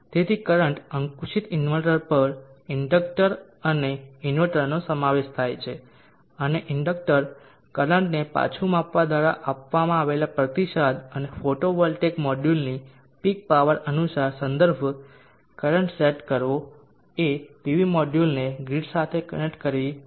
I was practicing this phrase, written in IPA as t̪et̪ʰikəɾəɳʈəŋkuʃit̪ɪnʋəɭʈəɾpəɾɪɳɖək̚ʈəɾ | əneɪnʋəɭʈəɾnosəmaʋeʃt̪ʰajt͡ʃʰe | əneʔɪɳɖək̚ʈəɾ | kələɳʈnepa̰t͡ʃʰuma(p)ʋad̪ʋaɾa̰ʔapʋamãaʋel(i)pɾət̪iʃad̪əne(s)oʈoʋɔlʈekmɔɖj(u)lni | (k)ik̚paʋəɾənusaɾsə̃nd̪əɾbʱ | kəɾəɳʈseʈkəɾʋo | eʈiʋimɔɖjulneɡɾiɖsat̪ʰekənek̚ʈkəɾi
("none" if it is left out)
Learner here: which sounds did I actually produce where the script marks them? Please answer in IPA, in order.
p, a, f, u, p

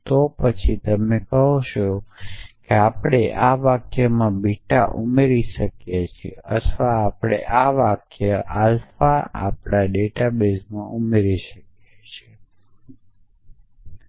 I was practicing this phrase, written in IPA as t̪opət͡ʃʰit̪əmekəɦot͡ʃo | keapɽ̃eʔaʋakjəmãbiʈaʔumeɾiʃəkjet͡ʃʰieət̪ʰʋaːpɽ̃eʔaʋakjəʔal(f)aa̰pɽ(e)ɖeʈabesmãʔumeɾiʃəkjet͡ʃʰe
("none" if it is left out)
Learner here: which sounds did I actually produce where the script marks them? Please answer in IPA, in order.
f, a

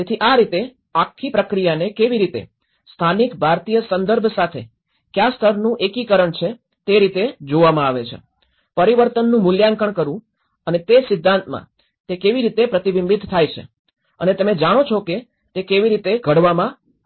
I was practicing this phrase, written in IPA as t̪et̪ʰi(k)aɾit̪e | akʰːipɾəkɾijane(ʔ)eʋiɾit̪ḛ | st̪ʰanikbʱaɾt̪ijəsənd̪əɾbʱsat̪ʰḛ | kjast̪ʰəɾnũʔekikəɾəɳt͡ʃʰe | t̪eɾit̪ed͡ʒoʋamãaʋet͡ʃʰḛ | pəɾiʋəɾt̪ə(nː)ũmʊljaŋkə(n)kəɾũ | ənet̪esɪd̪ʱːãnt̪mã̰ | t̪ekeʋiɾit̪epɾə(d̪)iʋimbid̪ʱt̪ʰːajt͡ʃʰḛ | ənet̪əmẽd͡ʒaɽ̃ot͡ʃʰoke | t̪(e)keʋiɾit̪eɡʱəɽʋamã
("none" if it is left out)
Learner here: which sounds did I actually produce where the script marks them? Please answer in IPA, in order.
ʔ, k, nː, ɳ, t̪, e

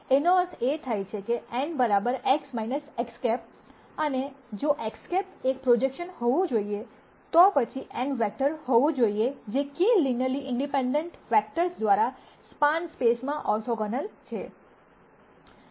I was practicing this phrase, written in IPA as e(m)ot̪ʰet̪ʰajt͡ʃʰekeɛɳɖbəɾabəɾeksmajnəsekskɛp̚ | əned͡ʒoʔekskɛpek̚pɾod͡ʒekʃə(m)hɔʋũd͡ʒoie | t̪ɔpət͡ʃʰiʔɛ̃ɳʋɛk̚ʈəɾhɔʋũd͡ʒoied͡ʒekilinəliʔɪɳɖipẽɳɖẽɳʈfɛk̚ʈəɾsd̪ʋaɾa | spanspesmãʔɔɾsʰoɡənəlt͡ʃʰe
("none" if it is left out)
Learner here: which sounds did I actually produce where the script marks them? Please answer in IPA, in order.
n, n

